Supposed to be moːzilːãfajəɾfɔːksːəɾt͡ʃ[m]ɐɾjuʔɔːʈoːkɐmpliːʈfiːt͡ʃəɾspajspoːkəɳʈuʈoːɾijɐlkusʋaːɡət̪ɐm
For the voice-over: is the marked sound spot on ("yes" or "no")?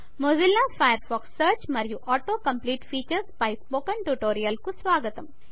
yes